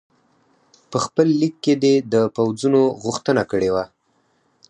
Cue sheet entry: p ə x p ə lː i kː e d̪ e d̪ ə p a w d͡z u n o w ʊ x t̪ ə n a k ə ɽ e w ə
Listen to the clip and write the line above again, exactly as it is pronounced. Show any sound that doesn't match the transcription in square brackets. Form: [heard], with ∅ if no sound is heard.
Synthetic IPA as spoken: p ə x p ə lː i kː e d̪ e d̪ ə p a w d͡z u n o [ɣ] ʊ x t̪ ə n a k ə ɽ e w [a]